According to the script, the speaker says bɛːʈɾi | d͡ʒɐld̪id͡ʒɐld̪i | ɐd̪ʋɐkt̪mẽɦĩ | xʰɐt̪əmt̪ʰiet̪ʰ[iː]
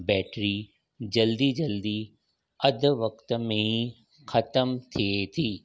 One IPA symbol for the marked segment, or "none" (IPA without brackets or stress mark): iː